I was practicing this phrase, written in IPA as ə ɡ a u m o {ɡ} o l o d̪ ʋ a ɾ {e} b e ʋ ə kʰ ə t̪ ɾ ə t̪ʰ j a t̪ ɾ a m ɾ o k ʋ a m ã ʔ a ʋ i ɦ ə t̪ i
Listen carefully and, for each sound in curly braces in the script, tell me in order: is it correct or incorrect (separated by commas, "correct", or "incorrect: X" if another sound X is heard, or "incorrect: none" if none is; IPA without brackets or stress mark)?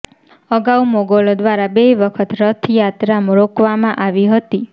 correct, incorrect: a